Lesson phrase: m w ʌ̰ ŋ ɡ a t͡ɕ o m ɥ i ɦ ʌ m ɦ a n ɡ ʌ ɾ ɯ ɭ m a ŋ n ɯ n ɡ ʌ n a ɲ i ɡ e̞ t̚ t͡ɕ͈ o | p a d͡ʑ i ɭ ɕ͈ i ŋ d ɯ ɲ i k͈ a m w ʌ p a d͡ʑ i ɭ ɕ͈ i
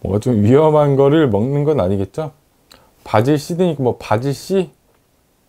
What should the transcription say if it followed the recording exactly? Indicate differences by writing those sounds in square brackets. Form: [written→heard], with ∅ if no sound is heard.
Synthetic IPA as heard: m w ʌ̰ ŋ ɡ a t͡ɕ o m ɥ i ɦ ʌ m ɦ a n ɡ ʌ ɾ ɯ ɭ m [a→ʌ] ŋ n ɯ n ɡ ʌ n a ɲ i ɡ e̞ t̚ t͡ɕ͈ o | p a d͡ʑ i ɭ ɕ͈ i [ŋ→∅] d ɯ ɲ i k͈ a m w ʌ p a d͡ʑ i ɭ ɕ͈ i